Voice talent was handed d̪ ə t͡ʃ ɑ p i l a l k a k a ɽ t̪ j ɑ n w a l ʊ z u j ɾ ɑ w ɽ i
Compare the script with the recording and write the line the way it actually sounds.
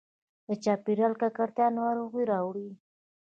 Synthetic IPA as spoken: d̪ ə t͡ʃ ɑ p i ɾ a l k a k a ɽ t̪ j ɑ n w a ɾ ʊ ɣ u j ɾ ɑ w ɽ i